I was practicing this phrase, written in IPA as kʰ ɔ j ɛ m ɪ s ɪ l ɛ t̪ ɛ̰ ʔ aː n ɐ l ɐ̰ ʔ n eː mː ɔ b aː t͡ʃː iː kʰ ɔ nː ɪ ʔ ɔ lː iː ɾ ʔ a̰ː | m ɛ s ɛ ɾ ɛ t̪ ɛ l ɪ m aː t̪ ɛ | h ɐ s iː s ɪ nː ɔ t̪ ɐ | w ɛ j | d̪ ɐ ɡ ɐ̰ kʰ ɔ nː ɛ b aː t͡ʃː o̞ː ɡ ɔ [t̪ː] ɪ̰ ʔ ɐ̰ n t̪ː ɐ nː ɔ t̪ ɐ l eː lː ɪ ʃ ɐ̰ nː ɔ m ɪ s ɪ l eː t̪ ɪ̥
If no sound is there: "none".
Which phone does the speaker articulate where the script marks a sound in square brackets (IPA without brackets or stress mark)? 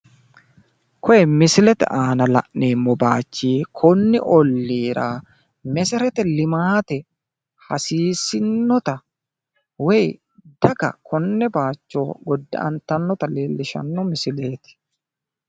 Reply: d̪ː